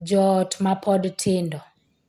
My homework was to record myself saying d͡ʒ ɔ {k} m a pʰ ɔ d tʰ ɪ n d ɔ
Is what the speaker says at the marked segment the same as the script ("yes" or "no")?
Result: no